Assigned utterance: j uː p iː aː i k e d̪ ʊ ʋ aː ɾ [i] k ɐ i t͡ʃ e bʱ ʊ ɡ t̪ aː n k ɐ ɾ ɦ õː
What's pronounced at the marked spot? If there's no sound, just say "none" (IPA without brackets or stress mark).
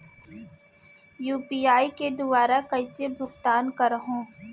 a